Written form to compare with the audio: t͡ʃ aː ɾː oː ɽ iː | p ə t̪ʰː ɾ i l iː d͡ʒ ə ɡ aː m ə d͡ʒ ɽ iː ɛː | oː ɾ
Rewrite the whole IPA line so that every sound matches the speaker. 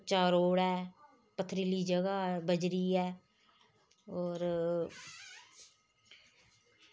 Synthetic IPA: t͡ʃ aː ɾ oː ɽ ɛː | p ə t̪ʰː ɾ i l iː d͡ʒ ə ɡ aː b ə d͡ʒ ɾ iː ɛː | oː ɾ